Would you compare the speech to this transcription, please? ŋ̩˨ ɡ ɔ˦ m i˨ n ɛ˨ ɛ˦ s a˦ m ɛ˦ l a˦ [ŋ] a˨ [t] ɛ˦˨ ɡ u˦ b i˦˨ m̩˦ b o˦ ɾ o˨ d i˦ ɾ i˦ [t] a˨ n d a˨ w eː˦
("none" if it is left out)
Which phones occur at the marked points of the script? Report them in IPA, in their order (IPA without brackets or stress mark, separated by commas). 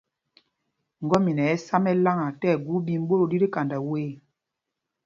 ŋ, t, k